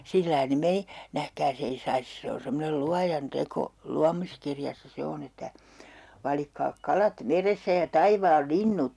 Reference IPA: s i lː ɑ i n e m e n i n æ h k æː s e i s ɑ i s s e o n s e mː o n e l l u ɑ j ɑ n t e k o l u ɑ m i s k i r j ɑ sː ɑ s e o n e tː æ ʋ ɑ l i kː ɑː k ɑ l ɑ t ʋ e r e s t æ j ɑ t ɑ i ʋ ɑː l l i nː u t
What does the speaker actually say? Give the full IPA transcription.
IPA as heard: s i lː ɑ i n e m e n i n æ h k æː s e i s ɑ i s s e o n s e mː o n e l l u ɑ j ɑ n t e k o l u ɑ m i s k i r j ɑ sː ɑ s e o n e tː æ ʋ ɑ l i kː ɑː k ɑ l ɑ t ʋ e r e s t æ j ɑ t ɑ i ʋ ɑː l l i nː u t

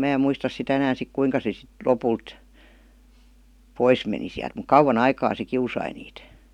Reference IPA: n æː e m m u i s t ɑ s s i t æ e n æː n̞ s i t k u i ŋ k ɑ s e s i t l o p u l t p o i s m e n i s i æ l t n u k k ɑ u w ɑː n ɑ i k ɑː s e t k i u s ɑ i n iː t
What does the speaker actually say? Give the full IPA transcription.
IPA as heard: m æː e m m u i s t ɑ s s i t æ e n æː n̞ s i k k u i ŋ k ɑ s e s i t l o p u l t p o i s m e n i s i æ l t m u k k ɑ u w ɑ n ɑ i k ɑː s e k i u s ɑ i n iː t

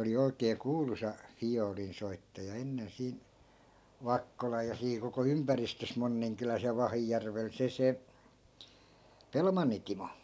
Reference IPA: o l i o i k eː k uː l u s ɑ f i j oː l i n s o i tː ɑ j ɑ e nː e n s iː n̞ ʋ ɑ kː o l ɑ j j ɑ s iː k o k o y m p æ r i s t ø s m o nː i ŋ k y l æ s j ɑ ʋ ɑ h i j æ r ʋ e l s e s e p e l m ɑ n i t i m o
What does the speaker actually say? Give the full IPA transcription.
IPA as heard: o l i o i k eː k uː l u s ɑ f i j oː l i n s o i tː ɑ j ɑ e nː e n s iː n̞ ʋ ɑ kː o l ɑ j j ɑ s iː k o k o y m p æ r i s t ø s m o nː i ŋ k y l æ s j ɑ ʋ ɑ h i j æ r ʋ e l s e s e p e l m ɑ nː i t i m o

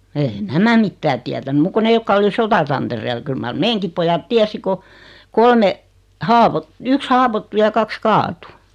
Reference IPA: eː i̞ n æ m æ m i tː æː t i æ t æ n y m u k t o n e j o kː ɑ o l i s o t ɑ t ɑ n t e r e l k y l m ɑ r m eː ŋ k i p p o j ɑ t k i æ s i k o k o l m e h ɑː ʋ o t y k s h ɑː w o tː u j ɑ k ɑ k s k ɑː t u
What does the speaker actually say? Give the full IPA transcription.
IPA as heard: eː i̞ n æ m æ m i tː æː t i æ t æ n y m u k k o n e j o kː ɑ o l i s o t ɑ t ɑ n t e r e l k y l m ɑ r m eː ŋ k i p p o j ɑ t t i æ s i k o k o l m e h ɑː ʋ o t y k s h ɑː w o tː u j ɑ k ɑ k s k ɑː t u

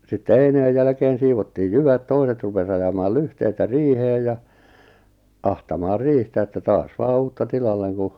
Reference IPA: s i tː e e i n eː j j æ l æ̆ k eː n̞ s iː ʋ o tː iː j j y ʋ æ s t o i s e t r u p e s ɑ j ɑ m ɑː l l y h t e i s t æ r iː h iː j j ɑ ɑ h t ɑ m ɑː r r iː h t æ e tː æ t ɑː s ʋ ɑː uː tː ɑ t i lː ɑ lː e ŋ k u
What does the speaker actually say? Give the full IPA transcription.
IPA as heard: s i tː e e i n eː j j æ l æ̆ k eː n̞ s iː ʋ o tː iː j j y ʋ æ t t o i s e t r u p e s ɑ j ɑ m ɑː l l y h t e i t æ r iː h eː j j ɑ ɑ h t ɑ m ɑː r r iː h t æ e tː æ t ɑː s ʋ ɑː uː tː ɑ t i l ɑ lː e ŋ k u

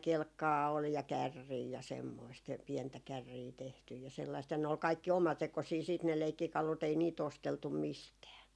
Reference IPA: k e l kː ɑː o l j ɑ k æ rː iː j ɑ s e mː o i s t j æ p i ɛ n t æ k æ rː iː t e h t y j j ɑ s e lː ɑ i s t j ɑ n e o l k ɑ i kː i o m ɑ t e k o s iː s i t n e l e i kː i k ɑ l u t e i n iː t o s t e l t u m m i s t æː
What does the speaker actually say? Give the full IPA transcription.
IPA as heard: k e l kː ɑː o l j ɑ k æ rː iː j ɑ s e mː o i s t j æ p i ɛ n t æ k æ rː iː t e h t y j j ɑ s e lː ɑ i s t j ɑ n e o l k ɑ i kː i o m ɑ t e k o s iː s iː t n e l e i kː i k ɑ l u t e i n iː t o s t e l t u m m i s t æː

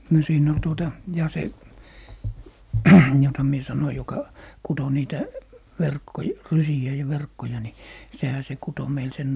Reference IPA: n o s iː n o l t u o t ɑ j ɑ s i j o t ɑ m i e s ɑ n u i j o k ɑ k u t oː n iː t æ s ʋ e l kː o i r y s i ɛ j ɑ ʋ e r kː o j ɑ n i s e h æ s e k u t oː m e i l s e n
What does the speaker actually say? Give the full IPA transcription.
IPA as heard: n o s iː n o l t u o t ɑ j ɑ s e j o t ɑ m i e s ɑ n o i j o k ɑ k u t o n iː t æ ʋ e r kː o j r y s i æ j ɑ ʋ e r kː o j ɑ n i s e h æ s e k u t o m e i l s e n

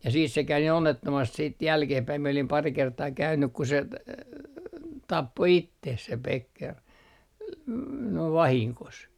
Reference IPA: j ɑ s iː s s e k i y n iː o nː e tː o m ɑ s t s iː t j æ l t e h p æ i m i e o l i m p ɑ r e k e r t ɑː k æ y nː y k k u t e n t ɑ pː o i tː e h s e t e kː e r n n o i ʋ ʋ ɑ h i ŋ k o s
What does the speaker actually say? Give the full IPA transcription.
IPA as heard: j ɑ s iː s s e k æ y n iː o nː e tː o m ɑ s t s iː t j æ l k e h p æ i m i e o l i m p ɑ r i k e r t ɑː k æ y nː y k k u s e t ɑ pː o i tː e h s e p e kː e r n n o i ʋ ʋ ɑ h i ŋ k o s

